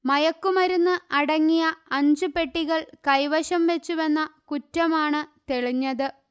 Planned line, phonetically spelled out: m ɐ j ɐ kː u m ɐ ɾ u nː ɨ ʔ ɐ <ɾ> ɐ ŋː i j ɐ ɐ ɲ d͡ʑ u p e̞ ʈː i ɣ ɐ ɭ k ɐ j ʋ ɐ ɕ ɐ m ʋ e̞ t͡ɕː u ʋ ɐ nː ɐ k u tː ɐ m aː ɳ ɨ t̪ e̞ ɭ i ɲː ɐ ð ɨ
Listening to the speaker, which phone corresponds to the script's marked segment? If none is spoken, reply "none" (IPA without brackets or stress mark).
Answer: ɽ